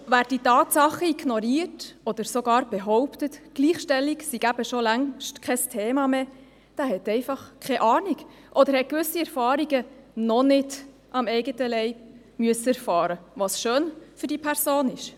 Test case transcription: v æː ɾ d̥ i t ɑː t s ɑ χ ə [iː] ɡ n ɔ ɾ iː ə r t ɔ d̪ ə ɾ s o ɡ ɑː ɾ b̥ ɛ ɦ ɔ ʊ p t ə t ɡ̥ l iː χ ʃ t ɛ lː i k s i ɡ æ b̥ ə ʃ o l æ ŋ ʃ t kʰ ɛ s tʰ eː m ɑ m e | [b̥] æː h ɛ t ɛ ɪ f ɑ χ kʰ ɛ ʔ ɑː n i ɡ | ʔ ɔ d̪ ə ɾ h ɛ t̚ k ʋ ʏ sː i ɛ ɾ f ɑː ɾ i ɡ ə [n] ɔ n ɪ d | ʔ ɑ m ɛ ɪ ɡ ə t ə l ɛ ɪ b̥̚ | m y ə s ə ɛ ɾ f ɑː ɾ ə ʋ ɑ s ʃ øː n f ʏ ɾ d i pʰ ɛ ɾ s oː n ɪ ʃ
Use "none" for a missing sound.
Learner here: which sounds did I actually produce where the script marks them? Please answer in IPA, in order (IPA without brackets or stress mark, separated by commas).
i, d̥, n